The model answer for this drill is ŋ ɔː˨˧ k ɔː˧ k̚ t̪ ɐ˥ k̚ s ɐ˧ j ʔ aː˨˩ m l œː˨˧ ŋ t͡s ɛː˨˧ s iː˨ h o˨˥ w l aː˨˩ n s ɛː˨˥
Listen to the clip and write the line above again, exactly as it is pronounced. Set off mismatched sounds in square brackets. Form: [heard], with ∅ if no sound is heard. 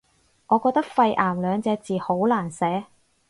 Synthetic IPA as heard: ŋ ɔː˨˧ k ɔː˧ k̚ t̪ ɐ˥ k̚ [f] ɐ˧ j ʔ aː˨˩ m l œː˨˧ ŋ t͡s ɛː˨˧ [t͡s] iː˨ h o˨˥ w l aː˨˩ n s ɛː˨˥

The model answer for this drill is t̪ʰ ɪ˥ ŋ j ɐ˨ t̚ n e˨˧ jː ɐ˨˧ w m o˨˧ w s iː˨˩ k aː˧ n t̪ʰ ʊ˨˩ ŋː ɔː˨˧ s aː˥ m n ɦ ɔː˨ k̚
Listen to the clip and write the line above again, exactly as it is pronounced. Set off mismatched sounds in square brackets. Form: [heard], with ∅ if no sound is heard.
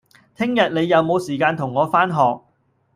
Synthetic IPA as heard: t̪ʰ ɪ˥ ŋ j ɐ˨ t̚ n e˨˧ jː ɐ˨˧ w m o˨˧ w s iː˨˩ k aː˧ n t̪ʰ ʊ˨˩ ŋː ɔː˨˧ [f] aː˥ [∅] n ɦ ɔː˨ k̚

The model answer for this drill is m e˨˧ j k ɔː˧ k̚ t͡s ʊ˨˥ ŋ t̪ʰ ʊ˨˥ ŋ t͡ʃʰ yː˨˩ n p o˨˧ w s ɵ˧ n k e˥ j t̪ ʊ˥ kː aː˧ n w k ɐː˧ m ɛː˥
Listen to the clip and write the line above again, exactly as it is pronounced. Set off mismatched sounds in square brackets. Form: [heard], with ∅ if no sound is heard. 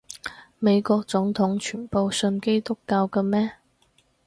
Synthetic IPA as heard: m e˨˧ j k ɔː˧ k̚ t͡s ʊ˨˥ ŋ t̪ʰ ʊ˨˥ ŋ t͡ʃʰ yː˨˩ n p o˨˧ w s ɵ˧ n k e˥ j t̪ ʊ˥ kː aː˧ [∅] w k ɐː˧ m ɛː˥

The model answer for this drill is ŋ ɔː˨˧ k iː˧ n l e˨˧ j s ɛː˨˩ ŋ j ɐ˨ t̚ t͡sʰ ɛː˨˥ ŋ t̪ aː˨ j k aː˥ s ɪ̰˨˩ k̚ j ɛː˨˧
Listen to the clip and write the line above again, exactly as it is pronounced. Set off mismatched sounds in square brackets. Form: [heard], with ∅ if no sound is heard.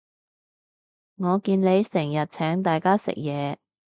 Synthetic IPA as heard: ŋ ɔː˨˧ k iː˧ n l e˨˧ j s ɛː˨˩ ŋ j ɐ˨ t̚ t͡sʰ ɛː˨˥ ŋ t̪ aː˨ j k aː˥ s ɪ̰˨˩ k̚ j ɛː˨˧

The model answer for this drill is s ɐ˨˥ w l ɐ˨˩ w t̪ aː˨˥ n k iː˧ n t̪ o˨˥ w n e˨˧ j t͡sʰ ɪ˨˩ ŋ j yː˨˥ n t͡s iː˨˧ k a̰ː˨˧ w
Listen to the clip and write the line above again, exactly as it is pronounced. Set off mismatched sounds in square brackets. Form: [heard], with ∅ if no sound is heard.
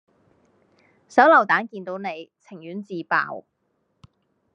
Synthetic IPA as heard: s ɐ˨˥ w l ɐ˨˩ w t̪ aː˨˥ n k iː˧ n t̪ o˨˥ w n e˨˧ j t͡sʰ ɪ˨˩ ŋ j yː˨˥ n t͡s iː˨˧ [p] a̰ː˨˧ w

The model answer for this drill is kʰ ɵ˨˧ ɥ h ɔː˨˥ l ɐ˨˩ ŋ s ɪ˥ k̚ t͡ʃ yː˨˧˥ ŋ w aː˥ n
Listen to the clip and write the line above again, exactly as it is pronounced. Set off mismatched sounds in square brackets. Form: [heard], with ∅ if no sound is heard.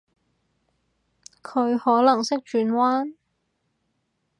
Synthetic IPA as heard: kʰ ɵ˨˧ ɥ h ɔː˨˥ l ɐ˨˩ ŋ s ɪ˥ k̚ t͡ʃ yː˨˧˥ [n] w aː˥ n

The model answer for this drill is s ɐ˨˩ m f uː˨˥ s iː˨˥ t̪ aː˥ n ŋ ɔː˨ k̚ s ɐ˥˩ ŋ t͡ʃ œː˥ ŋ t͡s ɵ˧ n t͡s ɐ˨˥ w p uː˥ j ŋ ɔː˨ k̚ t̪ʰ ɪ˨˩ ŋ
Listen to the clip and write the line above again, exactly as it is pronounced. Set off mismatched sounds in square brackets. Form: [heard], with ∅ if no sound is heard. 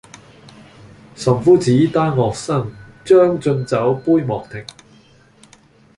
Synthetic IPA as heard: s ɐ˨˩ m f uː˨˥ [t͡s] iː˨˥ t̪ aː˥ n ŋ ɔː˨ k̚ s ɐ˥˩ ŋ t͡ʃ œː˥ ŋ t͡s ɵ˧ n t͡s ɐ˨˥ w p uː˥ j [m] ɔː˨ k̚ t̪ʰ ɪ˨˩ ŋ

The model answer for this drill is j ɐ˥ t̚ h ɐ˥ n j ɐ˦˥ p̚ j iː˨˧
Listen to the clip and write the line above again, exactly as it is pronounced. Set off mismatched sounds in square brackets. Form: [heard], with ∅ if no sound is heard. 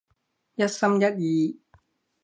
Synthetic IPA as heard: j ɐ˥ t̚ [s] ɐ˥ [m] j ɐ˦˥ [t̚] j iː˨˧

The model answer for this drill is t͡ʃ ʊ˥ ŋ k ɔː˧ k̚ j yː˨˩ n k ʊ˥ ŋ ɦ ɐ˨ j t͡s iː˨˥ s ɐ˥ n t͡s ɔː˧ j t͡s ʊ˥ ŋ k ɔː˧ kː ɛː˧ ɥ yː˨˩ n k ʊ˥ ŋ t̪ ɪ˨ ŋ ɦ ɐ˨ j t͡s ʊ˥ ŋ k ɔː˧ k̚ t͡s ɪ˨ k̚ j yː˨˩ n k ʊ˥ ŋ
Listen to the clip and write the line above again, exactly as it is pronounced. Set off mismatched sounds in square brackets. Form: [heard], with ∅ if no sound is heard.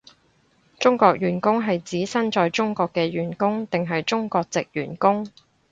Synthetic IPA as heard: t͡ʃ ʊ˥ ŋ k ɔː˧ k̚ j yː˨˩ n k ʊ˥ ŋ ɦ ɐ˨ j t͡s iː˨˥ s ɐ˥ n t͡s ɔː˧ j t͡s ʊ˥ ŋ k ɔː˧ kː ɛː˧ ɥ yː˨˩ n k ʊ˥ ŋ t̪ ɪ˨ ŋ ɦ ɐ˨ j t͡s ʊ˥ ŋ k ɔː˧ k̚ t͡s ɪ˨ k̚ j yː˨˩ n k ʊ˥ ŋ

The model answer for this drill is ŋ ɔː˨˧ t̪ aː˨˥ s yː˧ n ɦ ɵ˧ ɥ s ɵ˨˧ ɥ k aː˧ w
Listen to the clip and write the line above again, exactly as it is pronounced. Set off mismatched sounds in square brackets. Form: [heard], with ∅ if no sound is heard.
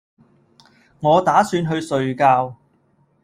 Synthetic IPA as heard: ŋ ɔː˨˧ t̪ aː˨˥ s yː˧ n ɦ ɵ˧ ɥ s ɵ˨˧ ɥ k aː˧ w

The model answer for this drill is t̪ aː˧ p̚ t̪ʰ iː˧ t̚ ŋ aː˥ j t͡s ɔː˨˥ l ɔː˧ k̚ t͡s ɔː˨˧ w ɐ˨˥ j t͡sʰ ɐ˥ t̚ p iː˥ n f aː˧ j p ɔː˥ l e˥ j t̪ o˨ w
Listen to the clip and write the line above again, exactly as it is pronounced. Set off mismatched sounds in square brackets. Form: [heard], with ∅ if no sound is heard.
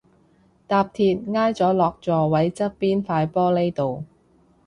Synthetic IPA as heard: t̪ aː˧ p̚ t̪ʰ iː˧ t̚ ŋ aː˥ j t͡s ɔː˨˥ l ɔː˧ k̚ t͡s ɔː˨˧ w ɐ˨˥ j [t͡s] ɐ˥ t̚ p iː˥ n f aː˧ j p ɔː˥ l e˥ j t̪ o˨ w

